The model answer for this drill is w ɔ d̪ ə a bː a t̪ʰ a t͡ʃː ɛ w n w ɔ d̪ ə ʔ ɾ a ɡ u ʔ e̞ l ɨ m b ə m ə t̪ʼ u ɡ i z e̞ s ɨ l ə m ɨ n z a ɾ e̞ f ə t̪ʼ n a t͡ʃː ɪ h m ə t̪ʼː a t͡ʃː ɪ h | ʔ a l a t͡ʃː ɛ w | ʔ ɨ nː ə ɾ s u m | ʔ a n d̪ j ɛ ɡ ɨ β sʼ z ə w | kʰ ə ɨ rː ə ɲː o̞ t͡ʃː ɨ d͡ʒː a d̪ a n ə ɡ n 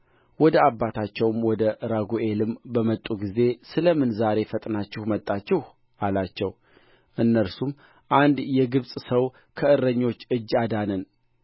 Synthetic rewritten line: w ɔ d̪ ə a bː a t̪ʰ a t͡ʃː ɛ w m w ɔ d̪ ə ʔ ɾ a ɡ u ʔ e̞ l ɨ m b ə m ə t̪ʼ u ɡ i z e̞ s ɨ l ə m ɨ n z a ɾ e̞ f ə t̪ʼ n a t͡ʃː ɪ h m ə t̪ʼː a t͡ʃː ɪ h | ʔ a l a t͡ʃː ɛ w | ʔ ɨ nː ə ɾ s u m | ʔ a n d̪ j ɛ ɡ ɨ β sʼ s ə w | kʰ ə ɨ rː ə ɲː o̞ t͡ʃː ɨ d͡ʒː a d̪ a n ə n

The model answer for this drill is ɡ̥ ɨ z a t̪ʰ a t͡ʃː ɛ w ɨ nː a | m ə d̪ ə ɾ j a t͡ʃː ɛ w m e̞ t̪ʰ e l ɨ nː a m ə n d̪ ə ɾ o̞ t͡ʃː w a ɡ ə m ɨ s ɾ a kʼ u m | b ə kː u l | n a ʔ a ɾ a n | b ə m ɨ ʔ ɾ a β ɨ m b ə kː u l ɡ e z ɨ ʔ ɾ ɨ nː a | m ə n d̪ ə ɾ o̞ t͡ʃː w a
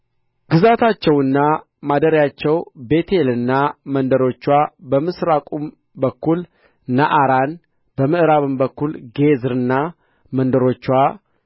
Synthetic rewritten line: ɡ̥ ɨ z a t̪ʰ a t͡ʃː ɛ w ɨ nː a | m a d̪ ə ɾ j a t͡ʃː ɛ w b e̞ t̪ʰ e l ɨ nː a m ə n d̪ ə ɾ o̞ t͡ʃː w a b ə m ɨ s ɾ a kʼ u m | b ə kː u l | n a ʔ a ɾ a n | b ə m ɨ ʔ ɾ a β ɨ m b ə kː u l ɡ e z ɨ ɾ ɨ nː a | m ə n d̪ ə ɾ o̞ t͡ʃː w a

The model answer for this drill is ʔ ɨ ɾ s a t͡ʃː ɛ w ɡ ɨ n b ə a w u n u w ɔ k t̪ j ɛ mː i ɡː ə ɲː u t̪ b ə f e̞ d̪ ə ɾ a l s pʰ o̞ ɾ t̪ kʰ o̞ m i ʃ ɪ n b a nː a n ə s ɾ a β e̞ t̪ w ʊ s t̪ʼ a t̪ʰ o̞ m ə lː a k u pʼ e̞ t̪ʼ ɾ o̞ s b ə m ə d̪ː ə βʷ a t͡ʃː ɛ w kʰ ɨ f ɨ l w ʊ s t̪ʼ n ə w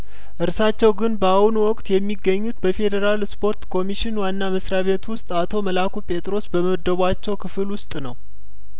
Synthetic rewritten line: ʔ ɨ ɾ s a t͡ʃː ɛ w ɡ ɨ n b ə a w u n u w ɔ kʼ t̪ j ɛ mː i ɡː ə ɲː u t̪ b ə f e̞ d̪ ə ɾ a l s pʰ o̞ ɾ t̪ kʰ o̞ m i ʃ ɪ n w a nː a m ə s ɾ a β e̞ t̪ w ʊ s t̪ʼ a t̪ʰ o̞ m ə l a k u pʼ e̞ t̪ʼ ɾ o̞ s b ə m ə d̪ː ə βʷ a t͡ʃː ɛ w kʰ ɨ f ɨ l w ʊ s t̪ʼ n ə w

